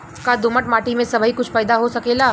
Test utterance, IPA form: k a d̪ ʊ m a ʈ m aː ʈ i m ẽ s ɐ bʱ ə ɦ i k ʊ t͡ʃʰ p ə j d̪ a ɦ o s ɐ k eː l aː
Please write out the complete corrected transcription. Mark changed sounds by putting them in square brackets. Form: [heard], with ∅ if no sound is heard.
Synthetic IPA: k a d̪ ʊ m [ə] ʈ m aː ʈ i m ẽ s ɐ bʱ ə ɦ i k ʊ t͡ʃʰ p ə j d̪ a ɦ o s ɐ k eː l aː